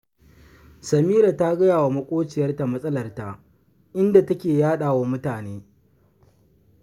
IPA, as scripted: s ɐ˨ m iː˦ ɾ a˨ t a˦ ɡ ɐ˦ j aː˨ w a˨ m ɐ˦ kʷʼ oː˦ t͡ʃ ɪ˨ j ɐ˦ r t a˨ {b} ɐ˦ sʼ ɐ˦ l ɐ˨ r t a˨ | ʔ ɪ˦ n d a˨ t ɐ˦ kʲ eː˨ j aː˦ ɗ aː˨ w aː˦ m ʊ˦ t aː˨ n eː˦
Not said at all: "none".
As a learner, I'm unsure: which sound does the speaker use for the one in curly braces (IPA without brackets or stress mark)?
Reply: m